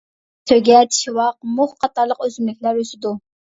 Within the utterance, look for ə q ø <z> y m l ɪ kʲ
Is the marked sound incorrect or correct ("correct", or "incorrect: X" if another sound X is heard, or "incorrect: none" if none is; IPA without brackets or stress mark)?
correct